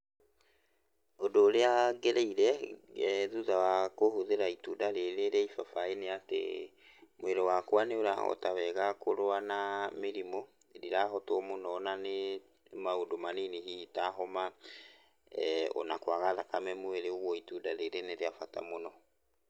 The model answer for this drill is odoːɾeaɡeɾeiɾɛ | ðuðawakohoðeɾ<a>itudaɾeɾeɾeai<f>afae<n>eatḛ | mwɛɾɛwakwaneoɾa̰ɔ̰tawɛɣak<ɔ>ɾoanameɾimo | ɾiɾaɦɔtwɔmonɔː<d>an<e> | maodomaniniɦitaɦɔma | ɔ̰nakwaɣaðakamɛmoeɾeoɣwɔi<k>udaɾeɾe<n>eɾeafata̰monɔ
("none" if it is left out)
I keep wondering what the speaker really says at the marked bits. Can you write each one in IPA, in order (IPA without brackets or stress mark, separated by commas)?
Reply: a, f, n, o, n, e, t, n